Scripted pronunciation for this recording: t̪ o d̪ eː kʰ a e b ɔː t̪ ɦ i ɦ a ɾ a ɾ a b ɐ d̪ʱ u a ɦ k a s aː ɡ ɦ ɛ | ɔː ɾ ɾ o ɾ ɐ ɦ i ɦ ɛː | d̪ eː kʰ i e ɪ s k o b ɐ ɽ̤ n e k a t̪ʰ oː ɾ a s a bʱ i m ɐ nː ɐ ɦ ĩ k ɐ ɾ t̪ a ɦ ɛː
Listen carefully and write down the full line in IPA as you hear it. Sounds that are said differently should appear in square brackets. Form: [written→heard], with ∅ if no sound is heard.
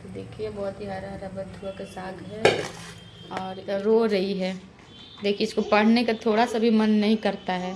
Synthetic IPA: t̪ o d̪ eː kʰ [a→i] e b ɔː t̪ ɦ i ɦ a ɾ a ɾ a b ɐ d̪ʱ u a [ɦ→∅] k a s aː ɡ ɦ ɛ | ɔː ɾ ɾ o ɾ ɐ ɦ i ɦ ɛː | d̪ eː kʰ i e ɪ s k o [b→p] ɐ ɽ̤ n e k a t̪ʰ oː [ɾ→ɽ] a s a bʱ i m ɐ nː ɐ ɦ ĩ k ɐ ɾ t̪ a ɦ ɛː